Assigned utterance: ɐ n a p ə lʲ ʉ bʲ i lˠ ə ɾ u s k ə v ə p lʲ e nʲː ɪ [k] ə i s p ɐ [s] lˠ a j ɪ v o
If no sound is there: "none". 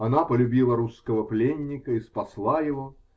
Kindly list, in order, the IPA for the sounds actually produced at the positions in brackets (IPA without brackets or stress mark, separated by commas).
k, s